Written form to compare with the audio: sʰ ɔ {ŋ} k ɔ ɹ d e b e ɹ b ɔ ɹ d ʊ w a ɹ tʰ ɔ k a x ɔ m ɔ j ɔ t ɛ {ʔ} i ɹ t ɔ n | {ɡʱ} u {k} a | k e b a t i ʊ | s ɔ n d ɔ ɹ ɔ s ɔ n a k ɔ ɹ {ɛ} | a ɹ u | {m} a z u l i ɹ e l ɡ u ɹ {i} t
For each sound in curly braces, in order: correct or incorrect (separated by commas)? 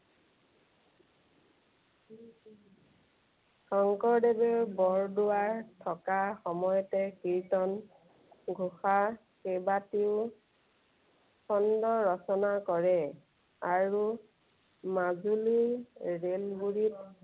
correct, incorrect, correct, incorrect, correct, correct, correct